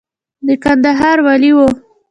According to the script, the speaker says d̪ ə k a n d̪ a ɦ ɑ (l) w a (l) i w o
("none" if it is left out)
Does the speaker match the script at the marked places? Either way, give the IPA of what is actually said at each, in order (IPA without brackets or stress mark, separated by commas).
ɾ, l